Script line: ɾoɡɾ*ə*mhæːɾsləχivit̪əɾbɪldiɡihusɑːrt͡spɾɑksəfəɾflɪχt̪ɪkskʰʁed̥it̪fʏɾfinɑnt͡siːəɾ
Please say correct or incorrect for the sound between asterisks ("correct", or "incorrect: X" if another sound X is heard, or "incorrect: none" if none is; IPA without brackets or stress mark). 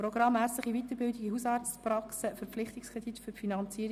incorrect: ɑ